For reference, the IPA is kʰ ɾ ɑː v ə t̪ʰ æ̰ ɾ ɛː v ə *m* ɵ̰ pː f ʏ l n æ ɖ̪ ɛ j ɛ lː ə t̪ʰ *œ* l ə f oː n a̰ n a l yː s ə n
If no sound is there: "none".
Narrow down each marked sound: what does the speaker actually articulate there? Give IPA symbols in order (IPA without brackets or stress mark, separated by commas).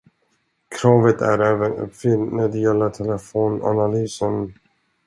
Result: n, ɛ